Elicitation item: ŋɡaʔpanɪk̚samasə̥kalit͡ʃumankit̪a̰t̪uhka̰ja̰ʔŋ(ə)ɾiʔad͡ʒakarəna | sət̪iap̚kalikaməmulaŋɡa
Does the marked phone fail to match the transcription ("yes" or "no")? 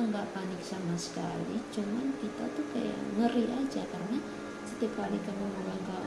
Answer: no